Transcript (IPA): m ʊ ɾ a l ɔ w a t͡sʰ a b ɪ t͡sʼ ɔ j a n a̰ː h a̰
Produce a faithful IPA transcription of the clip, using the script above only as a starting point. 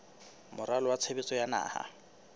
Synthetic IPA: m ʊ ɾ a l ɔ w a t͡sʰ e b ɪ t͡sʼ ɔ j a n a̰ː h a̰